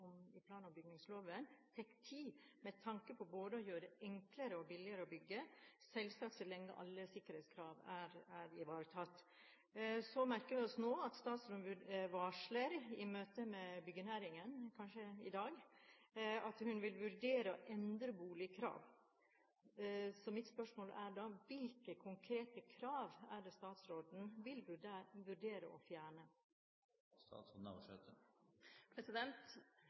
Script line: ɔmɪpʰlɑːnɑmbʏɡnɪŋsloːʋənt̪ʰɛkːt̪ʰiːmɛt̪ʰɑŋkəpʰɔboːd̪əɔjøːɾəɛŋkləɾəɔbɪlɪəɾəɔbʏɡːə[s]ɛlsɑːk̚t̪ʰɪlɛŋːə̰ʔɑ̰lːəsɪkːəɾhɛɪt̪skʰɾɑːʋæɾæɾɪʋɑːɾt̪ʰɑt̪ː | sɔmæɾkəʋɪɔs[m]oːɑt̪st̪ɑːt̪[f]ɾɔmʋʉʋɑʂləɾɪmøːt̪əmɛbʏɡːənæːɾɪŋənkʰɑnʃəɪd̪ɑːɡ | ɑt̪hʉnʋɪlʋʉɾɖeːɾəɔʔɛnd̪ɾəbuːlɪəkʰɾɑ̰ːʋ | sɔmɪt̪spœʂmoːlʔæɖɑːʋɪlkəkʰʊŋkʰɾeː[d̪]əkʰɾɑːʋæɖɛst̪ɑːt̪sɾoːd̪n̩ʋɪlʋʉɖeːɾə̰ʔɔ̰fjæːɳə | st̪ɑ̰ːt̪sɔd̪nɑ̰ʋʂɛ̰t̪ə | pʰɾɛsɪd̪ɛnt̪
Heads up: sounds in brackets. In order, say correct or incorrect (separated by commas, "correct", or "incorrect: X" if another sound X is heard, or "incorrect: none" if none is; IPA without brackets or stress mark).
correct, incorrect: n, incorrect: s, incorrect: t̪